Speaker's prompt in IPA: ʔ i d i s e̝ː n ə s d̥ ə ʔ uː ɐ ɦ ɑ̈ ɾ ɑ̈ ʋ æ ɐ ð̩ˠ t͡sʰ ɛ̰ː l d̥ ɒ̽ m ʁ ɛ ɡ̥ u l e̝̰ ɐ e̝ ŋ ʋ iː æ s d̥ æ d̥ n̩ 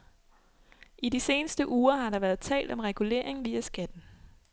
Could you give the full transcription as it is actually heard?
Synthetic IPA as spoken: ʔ i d i s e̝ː n ə s d̥ ə ʔ uː ɐ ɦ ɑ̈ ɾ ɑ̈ ʋ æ ɐ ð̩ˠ t͡sʰ ɛ̰ː l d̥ ɒ̽ m ʁ ɛ ɡ̥ u l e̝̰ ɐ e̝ ŋ ʋ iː æ s ɡ̥ æ d̥ n̩